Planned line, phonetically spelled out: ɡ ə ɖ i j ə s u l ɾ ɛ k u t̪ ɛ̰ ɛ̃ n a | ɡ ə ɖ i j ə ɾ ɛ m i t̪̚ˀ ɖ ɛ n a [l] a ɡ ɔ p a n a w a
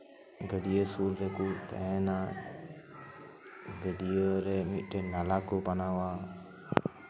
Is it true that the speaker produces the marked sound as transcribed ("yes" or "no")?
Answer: yes